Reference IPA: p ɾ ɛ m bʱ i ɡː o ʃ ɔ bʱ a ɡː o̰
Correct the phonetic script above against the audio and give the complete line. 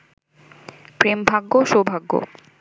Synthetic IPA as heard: p ɾ e m bʱ a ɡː o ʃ o bʱ a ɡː o̰